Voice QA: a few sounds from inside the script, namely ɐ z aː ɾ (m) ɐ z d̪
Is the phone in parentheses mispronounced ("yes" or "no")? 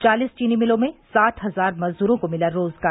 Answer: no